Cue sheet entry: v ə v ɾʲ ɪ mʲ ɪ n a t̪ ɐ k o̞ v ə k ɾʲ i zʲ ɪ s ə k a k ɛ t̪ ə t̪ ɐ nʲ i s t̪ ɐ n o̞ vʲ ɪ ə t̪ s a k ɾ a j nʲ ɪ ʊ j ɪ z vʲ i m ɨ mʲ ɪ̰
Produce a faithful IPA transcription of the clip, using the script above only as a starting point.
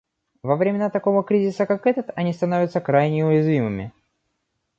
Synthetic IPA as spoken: v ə v ɾʲ ɪ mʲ ɪ n a t̪ ɐ k o̞ v ə k ɾʲ i zʲ ɪ s ə k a k ɛ t̪ ə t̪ ɐ nʲ i s t̪ ɐ n o̞ vʲ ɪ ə t̪ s ə k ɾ a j nʲ ɪ ʊ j ɪ z vʲ i m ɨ mʲ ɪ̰